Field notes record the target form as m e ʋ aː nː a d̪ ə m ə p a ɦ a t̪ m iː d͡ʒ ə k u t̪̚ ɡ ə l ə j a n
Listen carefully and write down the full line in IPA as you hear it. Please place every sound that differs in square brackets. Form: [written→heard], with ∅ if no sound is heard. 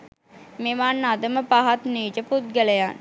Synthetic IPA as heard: m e ʋ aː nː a d̪ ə m ə p a ɦ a t̪ [m→n] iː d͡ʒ ə [k→p] u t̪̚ ɡ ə l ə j a n